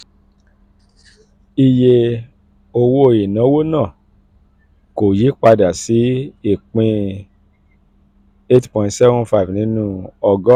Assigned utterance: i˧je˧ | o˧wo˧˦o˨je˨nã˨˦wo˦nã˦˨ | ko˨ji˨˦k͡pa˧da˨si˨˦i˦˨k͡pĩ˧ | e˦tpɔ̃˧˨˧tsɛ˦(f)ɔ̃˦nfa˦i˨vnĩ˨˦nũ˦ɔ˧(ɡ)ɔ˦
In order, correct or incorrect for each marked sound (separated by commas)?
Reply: incorrect, correct